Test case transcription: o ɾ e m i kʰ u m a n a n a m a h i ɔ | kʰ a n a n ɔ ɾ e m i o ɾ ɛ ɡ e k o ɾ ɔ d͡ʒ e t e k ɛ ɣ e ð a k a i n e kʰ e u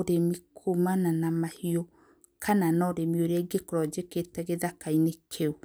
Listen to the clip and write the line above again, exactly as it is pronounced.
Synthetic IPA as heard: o ɾ e m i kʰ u m a n a n a m a h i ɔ | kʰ a n a n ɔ ɾ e m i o ɾ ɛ ɡ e k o ɾ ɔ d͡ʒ e k e t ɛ ɣ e ð a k a i n e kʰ e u